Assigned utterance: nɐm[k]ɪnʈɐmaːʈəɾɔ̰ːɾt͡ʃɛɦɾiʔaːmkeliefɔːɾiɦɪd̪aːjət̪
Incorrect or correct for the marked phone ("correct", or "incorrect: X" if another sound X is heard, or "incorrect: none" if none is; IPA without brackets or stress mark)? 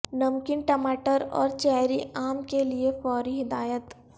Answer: correct